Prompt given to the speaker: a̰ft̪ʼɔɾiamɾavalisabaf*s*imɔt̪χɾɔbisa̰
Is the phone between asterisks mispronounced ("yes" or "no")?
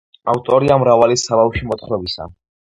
yes